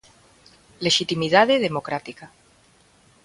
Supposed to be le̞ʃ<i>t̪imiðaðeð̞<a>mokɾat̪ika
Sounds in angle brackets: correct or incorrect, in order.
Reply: correct, incorrect

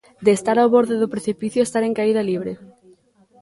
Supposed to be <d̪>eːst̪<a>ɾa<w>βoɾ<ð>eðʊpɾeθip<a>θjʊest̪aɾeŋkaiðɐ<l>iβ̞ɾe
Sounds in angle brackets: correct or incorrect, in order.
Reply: correct, correct, correct, correct, incorrect, correct

